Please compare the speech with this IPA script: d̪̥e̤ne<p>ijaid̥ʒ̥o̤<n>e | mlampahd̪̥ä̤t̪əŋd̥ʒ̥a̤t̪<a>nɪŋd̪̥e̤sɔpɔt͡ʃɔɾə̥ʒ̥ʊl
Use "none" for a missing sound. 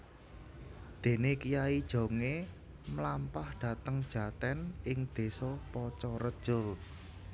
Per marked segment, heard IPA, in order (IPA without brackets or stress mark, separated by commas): k, ŋ, ɛ